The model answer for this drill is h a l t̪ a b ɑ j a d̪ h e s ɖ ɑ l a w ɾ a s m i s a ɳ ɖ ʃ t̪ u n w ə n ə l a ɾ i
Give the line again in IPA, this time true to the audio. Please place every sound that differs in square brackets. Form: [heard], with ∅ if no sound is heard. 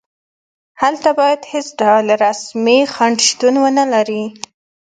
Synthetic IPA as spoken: h a l t̪ a b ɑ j a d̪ h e s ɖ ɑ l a [∅] ɾ a s m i [x] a ɳ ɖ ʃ t̪ u n w ə n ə l a ɾ i

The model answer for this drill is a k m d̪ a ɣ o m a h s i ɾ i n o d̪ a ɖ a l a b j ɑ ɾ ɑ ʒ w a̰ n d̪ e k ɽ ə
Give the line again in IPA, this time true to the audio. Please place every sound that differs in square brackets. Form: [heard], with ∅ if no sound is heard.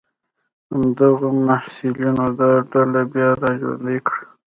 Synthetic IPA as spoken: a [∅] m d̪ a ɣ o m a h s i [l] i n o d̪ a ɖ a l a b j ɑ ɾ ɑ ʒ w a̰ n d̪ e k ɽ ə

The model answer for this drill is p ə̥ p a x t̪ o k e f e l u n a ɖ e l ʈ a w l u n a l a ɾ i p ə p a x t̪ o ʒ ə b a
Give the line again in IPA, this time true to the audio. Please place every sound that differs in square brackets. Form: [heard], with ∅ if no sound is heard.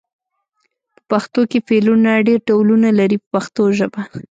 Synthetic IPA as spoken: p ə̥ p a x t̪ o k e f e l u n a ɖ e [ɾ] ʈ a w l u n a l a ɾ i p ə p a x t̪ o ʒ ə b a

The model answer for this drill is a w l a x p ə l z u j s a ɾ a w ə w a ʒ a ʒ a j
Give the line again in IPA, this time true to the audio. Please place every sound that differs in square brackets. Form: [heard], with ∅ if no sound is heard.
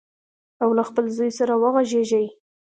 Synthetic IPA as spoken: a w l a x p ə l z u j s a ɾ a w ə [ɣ] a ʒ [e] ʒ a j

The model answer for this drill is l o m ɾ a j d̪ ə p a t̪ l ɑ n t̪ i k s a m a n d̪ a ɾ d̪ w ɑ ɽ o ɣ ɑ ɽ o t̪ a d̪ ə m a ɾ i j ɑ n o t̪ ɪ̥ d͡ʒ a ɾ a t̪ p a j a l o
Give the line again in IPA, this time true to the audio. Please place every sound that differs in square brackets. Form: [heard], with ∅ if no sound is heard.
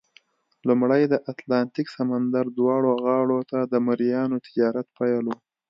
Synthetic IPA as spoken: l [u] m [ɽ] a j d̪ ə [ʔ] a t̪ l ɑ n t̪ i k s a m a n d̪ a ɾ d̪ w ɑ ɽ o ɣ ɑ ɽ o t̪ a d̪ ə m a ɾ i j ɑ n o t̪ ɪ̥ d͡ʒ [ɑ] ɾ a t̪ p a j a l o

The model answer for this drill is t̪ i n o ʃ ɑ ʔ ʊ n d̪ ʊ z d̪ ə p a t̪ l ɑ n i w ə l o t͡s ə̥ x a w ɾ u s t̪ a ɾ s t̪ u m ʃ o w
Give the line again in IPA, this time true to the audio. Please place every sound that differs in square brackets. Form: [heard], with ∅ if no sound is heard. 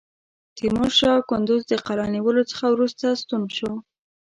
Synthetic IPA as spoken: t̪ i [m] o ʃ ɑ [k] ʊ n d̪ ʊ z d̪ ə [q] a [∅] l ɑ n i w ə l o t͡s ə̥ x a w ɾ u s t̪ a [∅] s t̪ u [n] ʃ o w

